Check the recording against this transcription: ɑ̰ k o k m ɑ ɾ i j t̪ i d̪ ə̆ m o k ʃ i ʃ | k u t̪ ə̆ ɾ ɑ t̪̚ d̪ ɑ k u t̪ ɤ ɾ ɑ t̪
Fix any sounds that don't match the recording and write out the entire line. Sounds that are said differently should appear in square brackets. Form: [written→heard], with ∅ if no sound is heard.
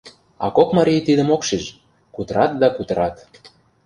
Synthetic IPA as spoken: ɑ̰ k o k m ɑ ɾ i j t̪ i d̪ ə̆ m o k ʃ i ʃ | k u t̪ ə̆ ɾ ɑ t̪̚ d̪ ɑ k u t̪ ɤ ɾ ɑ t̪